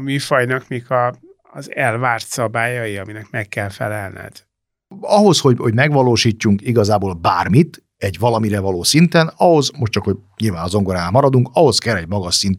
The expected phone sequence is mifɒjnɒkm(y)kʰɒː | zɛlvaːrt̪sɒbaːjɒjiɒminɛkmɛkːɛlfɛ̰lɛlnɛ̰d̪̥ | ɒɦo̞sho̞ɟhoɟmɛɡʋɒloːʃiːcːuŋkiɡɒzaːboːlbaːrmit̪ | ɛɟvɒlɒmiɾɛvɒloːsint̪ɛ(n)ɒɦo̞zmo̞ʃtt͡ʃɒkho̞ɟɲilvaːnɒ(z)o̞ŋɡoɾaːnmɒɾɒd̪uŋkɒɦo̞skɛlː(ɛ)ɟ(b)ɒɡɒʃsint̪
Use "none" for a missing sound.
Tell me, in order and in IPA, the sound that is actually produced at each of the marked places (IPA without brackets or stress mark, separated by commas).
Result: i, n, z, ɛ, m